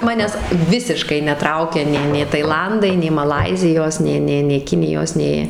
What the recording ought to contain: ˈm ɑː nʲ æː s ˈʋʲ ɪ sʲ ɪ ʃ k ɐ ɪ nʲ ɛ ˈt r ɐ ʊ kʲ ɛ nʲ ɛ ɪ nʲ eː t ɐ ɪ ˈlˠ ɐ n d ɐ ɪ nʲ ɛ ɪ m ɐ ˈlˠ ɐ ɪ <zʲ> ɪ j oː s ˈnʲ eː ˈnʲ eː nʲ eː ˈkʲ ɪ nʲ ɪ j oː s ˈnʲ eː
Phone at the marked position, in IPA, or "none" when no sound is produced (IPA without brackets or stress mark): zʲ